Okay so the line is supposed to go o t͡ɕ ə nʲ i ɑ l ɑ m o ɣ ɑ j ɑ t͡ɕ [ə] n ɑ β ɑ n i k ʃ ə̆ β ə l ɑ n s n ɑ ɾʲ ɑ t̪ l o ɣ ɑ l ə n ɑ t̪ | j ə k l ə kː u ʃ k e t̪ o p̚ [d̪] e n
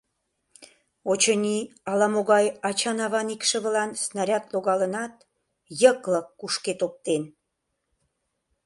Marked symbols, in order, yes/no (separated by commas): no, no